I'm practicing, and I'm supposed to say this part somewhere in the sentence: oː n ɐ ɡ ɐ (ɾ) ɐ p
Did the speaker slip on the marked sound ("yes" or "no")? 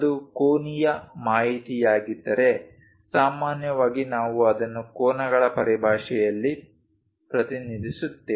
yes